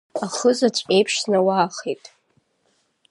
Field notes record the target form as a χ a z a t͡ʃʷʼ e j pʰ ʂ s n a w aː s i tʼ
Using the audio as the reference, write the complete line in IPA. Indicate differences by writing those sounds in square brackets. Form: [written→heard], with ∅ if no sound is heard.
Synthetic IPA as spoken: a χ [a→ə] z a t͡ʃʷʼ e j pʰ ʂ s n a w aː [s→χ] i tʼ